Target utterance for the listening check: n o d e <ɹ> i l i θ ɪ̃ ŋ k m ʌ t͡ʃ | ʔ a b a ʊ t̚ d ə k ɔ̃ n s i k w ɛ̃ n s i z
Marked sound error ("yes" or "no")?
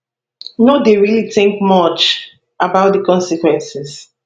no